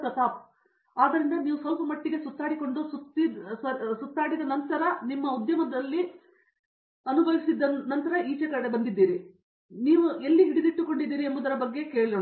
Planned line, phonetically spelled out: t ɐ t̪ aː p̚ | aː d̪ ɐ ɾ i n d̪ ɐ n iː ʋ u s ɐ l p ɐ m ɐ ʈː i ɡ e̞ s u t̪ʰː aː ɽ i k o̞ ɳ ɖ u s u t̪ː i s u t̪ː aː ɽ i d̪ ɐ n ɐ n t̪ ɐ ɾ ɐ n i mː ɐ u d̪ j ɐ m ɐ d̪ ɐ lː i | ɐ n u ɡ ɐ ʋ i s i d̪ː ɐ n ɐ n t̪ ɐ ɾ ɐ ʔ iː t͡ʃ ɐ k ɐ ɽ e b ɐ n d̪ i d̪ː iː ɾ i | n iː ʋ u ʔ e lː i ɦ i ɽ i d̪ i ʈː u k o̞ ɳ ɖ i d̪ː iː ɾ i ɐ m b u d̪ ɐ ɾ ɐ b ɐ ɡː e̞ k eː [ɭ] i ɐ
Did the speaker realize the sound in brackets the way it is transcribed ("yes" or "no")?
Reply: yes